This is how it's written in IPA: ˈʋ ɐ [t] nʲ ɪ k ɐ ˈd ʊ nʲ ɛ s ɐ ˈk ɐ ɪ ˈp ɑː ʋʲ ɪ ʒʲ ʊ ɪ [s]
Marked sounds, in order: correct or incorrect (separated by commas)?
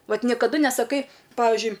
correct, incorrect